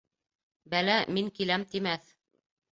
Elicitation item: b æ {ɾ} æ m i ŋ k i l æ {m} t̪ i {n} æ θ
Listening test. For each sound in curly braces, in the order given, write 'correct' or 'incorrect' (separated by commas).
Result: incorrect, correct, incorrect